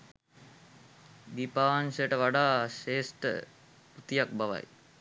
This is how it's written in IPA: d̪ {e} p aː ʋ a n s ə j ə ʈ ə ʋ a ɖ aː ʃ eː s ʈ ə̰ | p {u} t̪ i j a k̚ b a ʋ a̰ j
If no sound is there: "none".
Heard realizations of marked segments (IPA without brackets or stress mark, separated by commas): i, u